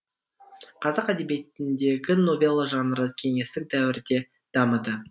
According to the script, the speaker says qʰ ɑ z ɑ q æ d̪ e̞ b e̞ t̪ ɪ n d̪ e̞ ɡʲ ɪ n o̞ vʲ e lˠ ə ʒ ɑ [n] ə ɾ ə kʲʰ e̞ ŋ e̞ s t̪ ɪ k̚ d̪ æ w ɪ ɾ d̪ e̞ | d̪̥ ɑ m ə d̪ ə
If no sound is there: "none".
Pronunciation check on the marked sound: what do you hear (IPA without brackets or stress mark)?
n